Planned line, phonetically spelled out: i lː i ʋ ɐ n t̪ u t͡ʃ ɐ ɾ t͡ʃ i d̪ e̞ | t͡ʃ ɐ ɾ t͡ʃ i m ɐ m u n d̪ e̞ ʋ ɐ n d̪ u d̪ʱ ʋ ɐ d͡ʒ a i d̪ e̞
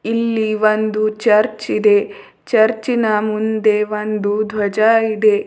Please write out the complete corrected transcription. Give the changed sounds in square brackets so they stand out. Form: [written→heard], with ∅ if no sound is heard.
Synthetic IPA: i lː i ʋ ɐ n [t̪→d̪] u t͡ʃ ɐ ɾ t͡ʃ i d̪ e̞ | t͡ʃ ɐ ɾ t͡ʃ i [m→n] ɐ m u n d̪ e̞ ʋ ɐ n d̪ u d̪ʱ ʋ ɐ d͡ʒ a i d̪ e̞